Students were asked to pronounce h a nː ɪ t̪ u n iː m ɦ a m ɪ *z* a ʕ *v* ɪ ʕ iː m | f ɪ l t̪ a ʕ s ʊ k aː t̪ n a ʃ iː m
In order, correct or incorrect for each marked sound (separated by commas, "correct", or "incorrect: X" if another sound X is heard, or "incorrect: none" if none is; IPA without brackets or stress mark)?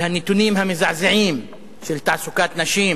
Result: correct, incorrect: z